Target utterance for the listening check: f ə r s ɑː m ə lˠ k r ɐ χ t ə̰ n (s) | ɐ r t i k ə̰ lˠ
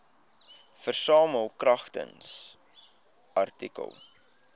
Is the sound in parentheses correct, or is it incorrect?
correct